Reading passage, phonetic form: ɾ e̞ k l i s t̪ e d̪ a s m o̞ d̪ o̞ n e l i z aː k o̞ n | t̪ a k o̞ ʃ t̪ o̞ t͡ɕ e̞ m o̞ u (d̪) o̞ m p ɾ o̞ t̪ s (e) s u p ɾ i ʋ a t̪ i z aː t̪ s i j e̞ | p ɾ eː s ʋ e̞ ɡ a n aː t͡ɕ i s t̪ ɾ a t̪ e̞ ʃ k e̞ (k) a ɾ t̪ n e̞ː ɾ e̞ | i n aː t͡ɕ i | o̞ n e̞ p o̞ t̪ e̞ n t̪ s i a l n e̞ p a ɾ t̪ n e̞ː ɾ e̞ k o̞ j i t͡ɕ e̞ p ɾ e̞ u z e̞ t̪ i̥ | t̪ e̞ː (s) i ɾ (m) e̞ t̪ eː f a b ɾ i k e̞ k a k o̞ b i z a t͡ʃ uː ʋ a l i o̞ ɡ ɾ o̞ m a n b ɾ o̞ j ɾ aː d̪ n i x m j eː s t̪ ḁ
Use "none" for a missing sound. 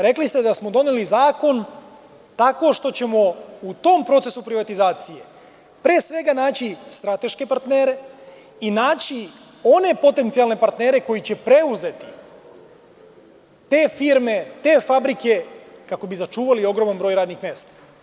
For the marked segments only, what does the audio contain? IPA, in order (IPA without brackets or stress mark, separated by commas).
t̪, e, p, f, m